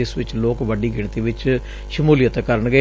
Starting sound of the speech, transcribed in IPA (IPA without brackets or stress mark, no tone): ɪ